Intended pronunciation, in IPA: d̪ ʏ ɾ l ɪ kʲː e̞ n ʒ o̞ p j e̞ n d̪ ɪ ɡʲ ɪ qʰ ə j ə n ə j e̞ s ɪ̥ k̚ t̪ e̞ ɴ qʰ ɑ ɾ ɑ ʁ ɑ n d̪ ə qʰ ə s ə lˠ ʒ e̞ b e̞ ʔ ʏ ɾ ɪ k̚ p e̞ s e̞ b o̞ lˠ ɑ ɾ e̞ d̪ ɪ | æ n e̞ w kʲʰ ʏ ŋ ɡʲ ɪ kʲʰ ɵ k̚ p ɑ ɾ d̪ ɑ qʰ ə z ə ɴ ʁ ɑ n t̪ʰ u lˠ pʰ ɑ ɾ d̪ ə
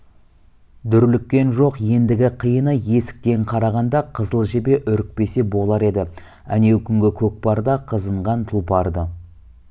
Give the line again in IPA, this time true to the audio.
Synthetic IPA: d̪ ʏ ɾ l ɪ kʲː e̞ n ʒ o̞ q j e̞ n d̪ ɪ ɡʲ ɪ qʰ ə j ə n ə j e̞ s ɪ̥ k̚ t̪ e̞ ɴ qʰ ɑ ɾ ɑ ʁ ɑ n d̪ ɑ qʰ ə z ə lˠ ʒ e̞ b e̞ ʔ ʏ ɾ ɪ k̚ p e̞ s e̞ b o̞ lˠ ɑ ɾ e̞ d̪ ɪ | æ n e̞ w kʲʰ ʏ ŋ ɡʲ ɪ kʲʰ ɵ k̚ p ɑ ɾ d̪ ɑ qʰ ə z ə ɴ ʁ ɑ n t̪ʰ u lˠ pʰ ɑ ɾ d̪ ə

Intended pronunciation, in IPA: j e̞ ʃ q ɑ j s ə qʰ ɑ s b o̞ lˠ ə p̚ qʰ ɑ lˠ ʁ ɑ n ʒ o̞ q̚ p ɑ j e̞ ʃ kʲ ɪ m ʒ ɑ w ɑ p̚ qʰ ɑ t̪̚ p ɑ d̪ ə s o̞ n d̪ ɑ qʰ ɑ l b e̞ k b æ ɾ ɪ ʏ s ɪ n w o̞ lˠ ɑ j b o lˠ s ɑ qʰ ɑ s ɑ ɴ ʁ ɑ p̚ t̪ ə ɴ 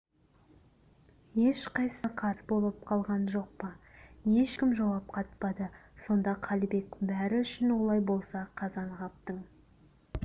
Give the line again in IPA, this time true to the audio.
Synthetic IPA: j e̞ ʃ q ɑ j s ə qʰ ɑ s b o̞ lˠ ə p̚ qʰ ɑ lˠ ʁ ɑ n ʒ o̞ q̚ p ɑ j e̞ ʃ kʲ ɪ m ʒ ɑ w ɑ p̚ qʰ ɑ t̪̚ p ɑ d̪ ə s o̞ n d̪ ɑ qʰ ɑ l b e̞ k b æ ɾ ɪ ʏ ʃ ɪ n w o̞ lˠ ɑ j b o lˠ s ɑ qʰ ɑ z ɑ ɴ ʁ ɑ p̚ t̪ ə ɴ

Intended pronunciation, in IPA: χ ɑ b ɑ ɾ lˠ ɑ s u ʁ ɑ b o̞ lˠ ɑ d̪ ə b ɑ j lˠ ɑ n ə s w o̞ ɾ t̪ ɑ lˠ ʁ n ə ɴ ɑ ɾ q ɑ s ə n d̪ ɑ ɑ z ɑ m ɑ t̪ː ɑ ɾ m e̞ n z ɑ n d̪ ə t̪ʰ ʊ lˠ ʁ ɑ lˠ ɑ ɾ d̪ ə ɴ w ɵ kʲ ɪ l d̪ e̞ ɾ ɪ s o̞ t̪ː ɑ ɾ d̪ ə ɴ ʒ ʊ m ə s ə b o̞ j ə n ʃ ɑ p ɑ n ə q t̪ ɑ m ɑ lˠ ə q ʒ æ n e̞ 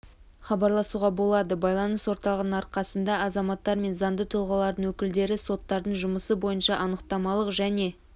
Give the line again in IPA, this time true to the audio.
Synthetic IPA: χ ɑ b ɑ ɾ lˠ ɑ s u ʁ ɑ b o̞ lˠ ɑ d̪ ə b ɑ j lˠ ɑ n ə s w o̞ ɾ t̪ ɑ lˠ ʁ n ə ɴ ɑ ɾ q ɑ s ə n d̪ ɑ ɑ z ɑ m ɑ t̪ː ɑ ɾ m e̞ n z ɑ n d̪ ə t̪ʰ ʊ lˠ ʁ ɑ lˠ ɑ ɾ d̪ ə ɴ w ɵ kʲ ɪ l d̪ e̞ ɾ ɪ s o̞ t̪ː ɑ ɾ d̪ ə ɴ ʒ ʊ m ə s ə b o̞ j ə n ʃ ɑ ʔ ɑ n ə q t̪ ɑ m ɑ lˠ ə q ʒ æ n e̞

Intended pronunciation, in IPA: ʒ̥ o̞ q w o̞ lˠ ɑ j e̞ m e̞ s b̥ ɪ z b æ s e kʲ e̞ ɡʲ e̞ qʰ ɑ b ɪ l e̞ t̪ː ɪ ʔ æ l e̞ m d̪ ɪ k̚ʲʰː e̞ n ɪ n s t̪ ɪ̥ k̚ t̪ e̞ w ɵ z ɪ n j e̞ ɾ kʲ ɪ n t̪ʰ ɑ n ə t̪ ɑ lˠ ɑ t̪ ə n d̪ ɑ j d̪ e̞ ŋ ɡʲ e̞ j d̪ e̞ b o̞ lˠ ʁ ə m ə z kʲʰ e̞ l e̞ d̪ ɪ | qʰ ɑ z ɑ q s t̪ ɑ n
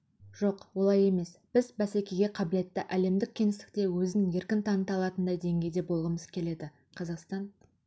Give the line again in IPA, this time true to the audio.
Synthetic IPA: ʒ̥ o̞ q w o̞ lˠ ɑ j e̞ m e̞ s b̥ ɪ z b æ s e kʲ e̞ ɡʲ e̞ qʰ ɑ b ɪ l e̞ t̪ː ɪ ʔ æ l e̞ m d̪ ɪ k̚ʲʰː e̞ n ɪ s t̪ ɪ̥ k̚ t̪ e̞ w ɵ z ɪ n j e̞ ɾ kʲ ɪ n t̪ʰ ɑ n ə t̪ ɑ lˠ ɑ t̪ ə n d̪ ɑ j d̪ e̞ ŋ ɡʲ e̞ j d̪ e̞ b o̞ lˠ ʁ ə m ə z kʲʰ e̞ l e̞ d̪ ɪ | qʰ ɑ z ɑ q s t̪ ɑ n

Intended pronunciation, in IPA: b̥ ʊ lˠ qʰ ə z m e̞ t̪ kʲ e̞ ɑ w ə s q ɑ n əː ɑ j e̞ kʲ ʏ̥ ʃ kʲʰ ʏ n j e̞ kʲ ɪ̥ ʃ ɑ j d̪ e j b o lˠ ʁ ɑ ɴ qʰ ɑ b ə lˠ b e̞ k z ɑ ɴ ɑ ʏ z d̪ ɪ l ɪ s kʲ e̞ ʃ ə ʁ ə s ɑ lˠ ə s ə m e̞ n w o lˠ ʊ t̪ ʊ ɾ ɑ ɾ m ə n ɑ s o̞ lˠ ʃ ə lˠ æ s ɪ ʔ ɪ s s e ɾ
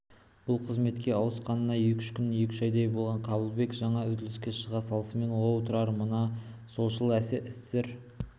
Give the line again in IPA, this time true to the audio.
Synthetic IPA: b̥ ʊ lˠ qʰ ə z m e̞ t̪ kʲ e̞ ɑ w ə s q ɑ n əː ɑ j e̞ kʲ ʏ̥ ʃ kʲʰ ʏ n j e̞ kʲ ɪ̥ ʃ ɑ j d̪ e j b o lˠ ʁ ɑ ɴ qʰ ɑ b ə lˠ b e̞ k ʒ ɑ ɴ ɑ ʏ z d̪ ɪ l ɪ s kʲ e̞ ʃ ə ʁ ɑ s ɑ lˠ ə s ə m e̞ n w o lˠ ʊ t̪ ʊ ɾ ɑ ɾ m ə n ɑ s o̞ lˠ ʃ ə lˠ æ s ɪ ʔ ɪ s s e ɾ

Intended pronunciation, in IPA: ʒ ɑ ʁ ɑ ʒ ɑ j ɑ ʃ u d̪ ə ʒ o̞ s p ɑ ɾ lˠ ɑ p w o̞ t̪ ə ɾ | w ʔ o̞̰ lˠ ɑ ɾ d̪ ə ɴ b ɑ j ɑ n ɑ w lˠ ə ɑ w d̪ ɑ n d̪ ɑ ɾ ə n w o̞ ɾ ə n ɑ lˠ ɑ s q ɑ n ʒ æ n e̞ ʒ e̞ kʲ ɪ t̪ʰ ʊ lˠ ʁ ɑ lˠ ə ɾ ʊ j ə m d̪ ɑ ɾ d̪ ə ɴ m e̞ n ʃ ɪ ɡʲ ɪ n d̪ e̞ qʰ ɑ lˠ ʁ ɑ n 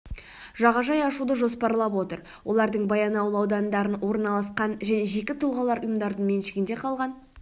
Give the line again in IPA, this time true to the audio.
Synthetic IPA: ʒ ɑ ʁ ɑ ʒ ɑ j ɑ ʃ u d̪ ə ʒ o̞ s p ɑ ɾ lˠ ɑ p w o̞ t̪ ə ɾ | w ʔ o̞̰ lˠ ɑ ɾ d̪ ə ɴ b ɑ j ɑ n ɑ w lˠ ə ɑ w d̪ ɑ n d̪ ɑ ɾ ə n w o̞ ɾ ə n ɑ lˠ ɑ s q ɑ n ʒ æ n e̞ ʒ e̞ kʲ ɪ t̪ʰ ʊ lˠ ʁ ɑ lˠ ɑ ɾ ʊ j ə m d̪ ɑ ɾ d̪ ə ɴ m e̞ n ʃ ɪ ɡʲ ɪ n d̪ e̞ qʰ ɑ lˠ ʁ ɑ n

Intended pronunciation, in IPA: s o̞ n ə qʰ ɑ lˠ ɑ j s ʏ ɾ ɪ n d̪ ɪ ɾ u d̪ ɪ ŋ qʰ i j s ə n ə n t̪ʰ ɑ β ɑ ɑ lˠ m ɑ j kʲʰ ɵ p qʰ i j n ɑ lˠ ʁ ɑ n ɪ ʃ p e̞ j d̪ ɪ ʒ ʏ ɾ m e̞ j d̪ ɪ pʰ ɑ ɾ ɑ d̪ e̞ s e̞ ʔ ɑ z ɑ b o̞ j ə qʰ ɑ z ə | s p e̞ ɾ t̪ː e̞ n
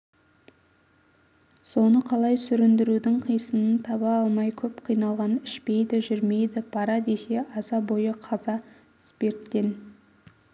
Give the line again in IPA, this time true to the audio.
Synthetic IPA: s o̞ n ə qʰ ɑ lˠ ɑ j s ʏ ɾ ɪ n d̪ ɪ ɾ u d̪ ɪ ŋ qʰ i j s ə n ə n t̪ʰ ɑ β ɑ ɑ lˠ m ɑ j kʲʰ ɵ p qʰ i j n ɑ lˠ ʁ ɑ n ɪ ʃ p e̞ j d̪ ɪ ʒ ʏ ɾ m e̞ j d̪ ɪ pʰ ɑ ɾ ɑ d̪ e̞ s e̞ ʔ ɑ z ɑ b o̞ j ə qʰ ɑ z ɑ | s p e̞ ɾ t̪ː e̞ n

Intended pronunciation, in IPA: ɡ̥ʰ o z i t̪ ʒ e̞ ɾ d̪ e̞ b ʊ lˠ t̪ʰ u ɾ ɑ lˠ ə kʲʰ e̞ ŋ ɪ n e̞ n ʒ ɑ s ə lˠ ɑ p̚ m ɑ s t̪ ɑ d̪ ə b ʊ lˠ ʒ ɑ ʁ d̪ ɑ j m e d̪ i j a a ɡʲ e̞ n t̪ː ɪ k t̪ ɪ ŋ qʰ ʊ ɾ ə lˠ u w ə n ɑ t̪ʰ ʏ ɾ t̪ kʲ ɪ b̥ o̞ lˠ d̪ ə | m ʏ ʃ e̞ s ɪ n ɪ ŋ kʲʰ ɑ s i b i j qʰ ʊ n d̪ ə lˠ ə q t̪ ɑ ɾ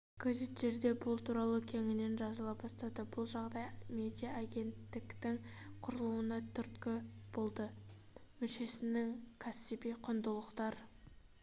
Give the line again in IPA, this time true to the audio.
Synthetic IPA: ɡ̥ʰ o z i t̪ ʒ e̞ ɾ d̪ e̞ b ʊ lˠ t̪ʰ u ɾ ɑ lˠ ə kʲʰ e̞ ŋ ɪ n e̞ n ʒ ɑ z ə lˠ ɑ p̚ b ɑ s t̪ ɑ d̪ ə b ʊ lˠ ʒ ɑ ʁ d̪ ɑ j m e d̪ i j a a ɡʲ e̞ n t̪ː ɪ k t̪ ɪ ŋ qʰ ʊ ɾ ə lˠ u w ə n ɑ t̪ʰ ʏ ɾ t̪ kʲ ɪ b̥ o̞ lˠ d̪ ə | m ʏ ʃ e̞ s ɪ n ɪ ŋ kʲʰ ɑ s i b i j qʰ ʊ n d̪ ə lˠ ə q t̪ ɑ ɾ

